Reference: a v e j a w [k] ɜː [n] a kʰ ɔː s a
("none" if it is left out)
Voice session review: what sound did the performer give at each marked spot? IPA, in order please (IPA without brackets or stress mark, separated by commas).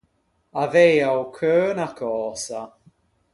kʰ, n